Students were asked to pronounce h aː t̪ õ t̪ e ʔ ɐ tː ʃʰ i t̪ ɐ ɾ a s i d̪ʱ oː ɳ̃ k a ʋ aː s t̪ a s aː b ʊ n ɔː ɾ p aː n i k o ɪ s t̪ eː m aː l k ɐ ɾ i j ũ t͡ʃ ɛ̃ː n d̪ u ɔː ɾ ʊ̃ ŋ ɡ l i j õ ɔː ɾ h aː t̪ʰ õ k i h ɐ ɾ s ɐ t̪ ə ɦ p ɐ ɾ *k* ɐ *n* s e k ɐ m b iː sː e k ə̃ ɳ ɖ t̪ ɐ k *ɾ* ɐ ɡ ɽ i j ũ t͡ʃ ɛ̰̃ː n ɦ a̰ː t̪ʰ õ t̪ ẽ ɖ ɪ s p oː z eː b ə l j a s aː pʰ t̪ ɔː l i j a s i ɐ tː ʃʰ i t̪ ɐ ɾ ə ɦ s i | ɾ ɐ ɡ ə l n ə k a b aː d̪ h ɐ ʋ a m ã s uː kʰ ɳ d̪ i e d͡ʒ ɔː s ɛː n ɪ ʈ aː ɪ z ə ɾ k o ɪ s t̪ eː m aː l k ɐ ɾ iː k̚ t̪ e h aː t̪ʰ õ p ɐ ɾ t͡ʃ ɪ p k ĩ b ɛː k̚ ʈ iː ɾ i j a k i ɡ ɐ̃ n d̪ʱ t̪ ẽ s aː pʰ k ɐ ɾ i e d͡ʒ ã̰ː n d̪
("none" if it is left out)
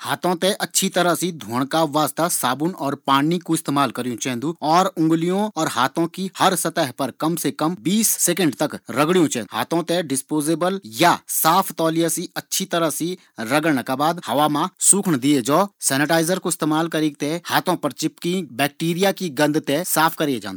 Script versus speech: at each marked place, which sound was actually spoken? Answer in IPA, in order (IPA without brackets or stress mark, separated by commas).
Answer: k, m, ɾ